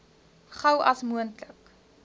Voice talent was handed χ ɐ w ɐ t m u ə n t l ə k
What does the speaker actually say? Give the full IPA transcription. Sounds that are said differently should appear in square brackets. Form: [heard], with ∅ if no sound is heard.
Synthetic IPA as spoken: χ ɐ w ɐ [s] m u ə n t l ə k